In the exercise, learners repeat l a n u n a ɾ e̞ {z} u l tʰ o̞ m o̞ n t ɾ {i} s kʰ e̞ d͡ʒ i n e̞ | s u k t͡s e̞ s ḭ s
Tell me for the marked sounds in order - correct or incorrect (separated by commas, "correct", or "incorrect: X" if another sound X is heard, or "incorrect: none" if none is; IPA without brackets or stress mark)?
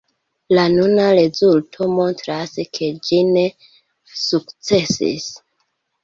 correct, incorrect: a